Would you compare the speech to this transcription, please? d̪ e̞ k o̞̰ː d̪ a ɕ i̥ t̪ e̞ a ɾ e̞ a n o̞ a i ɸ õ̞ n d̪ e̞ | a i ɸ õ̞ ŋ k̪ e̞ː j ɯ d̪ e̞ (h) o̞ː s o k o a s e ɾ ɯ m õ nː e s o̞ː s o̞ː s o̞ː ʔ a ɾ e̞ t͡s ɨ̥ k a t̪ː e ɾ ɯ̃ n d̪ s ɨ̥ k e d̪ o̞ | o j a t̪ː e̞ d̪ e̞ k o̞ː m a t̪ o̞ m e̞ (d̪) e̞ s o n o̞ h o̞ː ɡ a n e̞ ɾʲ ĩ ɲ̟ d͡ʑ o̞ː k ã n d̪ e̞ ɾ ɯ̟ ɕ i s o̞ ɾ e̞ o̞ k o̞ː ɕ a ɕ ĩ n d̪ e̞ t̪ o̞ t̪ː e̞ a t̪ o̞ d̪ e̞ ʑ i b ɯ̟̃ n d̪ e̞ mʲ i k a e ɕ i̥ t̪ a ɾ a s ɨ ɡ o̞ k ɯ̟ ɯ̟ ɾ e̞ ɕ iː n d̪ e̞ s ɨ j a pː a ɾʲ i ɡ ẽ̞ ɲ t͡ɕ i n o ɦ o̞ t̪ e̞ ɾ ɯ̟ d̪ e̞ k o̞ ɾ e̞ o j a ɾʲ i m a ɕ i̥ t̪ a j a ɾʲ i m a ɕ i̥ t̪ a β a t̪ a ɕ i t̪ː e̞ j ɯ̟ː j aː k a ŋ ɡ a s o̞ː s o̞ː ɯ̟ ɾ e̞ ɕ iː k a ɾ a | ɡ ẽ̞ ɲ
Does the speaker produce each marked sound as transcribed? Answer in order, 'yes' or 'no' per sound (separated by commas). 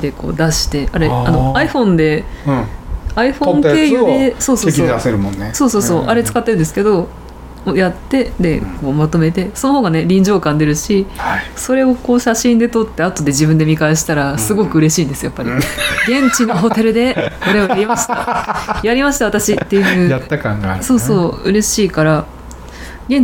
no, no